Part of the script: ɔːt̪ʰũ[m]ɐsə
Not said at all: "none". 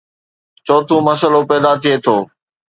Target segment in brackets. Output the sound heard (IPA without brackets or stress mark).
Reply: m